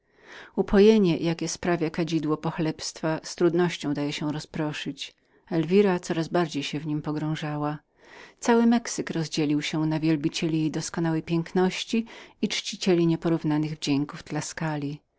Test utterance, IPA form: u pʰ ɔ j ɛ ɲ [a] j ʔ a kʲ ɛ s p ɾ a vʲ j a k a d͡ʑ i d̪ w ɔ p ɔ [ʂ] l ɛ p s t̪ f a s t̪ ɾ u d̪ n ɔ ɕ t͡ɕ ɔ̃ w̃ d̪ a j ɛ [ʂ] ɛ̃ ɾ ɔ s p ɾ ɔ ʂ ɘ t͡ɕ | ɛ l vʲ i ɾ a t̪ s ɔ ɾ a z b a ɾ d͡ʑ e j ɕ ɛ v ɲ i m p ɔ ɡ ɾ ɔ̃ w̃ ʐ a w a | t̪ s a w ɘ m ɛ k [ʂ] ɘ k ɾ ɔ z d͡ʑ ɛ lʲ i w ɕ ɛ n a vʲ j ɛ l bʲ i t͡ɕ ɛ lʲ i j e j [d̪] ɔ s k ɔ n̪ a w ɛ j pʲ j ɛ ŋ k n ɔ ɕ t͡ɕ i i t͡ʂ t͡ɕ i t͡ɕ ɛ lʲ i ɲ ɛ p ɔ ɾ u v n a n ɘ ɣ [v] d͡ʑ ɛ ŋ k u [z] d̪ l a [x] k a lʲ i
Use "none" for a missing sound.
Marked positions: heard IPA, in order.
ɛ, x, ɕ, s, d̪, v, v, s

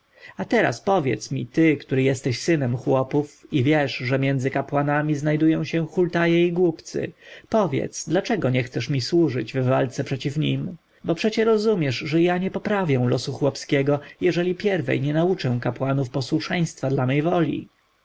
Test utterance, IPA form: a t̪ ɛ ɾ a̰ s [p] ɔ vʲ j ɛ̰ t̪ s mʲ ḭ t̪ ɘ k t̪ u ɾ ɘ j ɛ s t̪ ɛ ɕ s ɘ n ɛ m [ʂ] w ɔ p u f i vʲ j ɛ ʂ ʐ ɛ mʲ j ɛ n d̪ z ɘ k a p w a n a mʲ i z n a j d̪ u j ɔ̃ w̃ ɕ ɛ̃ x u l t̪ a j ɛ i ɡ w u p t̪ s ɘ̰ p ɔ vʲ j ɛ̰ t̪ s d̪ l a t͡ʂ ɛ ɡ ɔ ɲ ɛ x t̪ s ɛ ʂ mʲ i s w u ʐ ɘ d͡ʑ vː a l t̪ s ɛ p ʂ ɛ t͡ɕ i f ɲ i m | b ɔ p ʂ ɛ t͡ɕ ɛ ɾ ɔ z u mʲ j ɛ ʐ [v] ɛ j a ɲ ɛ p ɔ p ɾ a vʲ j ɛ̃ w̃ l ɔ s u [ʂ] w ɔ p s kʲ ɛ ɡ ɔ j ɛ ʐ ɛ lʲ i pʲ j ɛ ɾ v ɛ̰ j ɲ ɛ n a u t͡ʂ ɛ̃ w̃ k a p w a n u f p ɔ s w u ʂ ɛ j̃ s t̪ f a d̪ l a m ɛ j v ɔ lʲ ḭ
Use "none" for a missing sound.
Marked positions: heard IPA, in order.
p, x, ʐ, x

